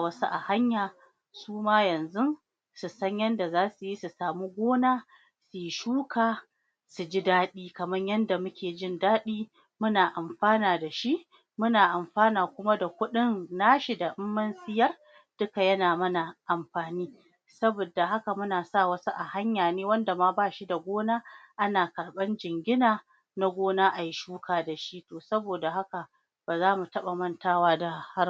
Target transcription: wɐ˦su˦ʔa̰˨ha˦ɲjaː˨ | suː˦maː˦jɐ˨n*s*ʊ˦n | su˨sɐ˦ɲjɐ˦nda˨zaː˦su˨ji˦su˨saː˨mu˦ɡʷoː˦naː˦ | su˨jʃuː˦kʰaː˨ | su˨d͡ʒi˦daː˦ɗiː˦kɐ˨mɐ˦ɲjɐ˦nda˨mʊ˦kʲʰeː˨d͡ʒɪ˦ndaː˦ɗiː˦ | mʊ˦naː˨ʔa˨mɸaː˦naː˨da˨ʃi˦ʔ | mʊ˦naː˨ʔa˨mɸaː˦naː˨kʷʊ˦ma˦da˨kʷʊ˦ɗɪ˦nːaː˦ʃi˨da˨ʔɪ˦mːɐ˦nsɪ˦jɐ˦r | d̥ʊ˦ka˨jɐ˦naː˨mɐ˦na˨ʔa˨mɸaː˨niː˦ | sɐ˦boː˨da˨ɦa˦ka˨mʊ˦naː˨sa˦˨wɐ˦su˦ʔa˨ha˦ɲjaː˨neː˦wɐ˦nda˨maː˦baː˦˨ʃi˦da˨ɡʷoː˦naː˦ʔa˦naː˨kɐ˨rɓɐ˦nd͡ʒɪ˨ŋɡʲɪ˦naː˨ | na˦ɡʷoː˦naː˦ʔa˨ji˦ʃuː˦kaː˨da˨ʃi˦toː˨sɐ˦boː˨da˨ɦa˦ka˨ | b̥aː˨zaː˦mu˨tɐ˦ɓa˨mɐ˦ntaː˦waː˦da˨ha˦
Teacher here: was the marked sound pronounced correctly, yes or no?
no